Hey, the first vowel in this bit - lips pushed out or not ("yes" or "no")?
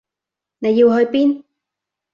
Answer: no